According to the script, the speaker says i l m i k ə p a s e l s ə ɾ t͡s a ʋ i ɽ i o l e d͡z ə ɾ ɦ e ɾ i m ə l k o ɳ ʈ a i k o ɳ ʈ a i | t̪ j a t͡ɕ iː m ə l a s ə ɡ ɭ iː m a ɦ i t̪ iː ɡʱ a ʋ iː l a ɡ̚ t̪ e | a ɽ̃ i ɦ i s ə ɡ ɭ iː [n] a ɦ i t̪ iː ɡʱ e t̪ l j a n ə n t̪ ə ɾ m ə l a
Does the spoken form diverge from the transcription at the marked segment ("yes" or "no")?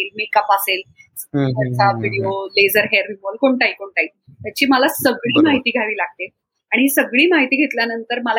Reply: yes